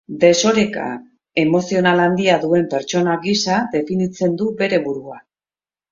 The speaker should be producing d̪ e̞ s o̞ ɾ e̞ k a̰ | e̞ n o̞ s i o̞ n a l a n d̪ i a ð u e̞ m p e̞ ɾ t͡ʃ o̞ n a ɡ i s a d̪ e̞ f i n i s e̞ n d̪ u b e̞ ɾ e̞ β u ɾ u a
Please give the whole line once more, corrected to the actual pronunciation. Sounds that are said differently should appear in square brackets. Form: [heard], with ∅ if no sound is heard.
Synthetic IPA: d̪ e̞ s o̞ ɾ e̞ k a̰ | e̞ [m] o̞ s i o̞ n a l a n d̪ i a ð u e̞ m p e̞ ɾ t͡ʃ o̞ n a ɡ i s a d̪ e̞ f i n i [t͡s] e̞ n d̪ u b e̞ ɾ e̞ β u ɾ u a